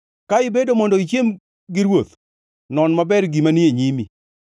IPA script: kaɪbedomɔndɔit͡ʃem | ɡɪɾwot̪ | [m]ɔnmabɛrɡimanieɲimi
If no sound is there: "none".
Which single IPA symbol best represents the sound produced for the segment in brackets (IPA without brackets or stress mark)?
n